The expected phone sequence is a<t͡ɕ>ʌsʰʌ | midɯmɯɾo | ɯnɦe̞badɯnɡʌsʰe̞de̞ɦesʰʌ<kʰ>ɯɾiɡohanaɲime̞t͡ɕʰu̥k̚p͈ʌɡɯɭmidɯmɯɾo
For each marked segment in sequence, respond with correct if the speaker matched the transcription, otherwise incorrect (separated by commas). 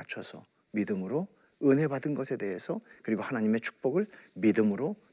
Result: incorrect, incorrect